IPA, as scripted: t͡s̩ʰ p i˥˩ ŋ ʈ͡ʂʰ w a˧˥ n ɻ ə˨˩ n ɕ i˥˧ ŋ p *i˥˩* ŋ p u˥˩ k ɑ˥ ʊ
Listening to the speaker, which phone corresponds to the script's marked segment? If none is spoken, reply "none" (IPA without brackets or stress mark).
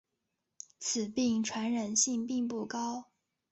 i˥˧